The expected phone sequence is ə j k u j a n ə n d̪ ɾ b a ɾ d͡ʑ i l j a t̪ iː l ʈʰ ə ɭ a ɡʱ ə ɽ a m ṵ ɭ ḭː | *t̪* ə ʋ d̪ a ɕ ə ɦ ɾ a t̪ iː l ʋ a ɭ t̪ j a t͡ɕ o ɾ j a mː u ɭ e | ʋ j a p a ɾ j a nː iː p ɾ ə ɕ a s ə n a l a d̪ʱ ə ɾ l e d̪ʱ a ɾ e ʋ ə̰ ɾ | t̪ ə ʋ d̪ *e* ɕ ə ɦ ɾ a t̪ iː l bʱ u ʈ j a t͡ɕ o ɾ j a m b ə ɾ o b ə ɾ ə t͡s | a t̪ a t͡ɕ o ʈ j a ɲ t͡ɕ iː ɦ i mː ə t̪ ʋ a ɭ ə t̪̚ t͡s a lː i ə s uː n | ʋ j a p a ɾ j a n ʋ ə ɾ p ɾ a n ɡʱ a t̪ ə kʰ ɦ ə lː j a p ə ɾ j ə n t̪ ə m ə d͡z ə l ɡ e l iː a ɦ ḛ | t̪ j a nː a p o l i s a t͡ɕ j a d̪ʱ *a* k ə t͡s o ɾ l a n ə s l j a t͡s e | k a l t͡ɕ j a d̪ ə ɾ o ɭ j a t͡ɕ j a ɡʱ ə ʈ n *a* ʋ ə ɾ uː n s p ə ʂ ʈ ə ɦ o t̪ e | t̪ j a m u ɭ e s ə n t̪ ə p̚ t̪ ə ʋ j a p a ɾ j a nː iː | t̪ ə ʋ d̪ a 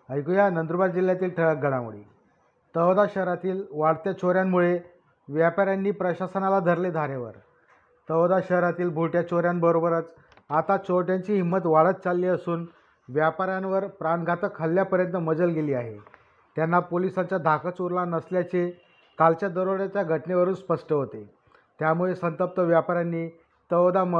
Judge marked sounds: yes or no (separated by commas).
yes, no, yes, no